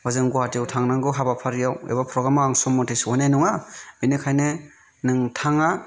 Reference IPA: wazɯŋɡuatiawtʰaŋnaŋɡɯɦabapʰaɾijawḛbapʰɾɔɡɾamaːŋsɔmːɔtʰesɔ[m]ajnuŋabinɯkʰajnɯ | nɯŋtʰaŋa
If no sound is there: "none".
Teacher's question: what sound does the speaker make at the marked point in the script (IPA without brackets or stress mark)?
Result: n